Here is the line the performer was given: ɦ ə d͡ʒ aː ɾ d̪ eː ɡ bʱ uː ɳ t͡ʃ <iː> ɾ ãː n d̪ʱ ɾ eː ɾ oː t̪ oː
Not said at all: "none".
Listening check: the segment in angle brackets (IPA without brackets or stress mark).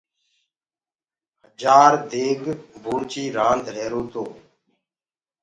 iː